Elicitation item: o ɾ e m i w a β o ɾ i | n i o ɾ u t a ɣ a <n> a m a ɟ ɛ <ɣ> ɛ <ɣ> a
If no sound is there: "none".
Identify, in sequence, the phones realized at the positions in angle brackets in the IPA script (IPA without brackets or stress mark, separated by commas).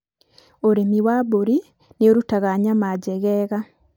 ɲ, ɣ, ɣ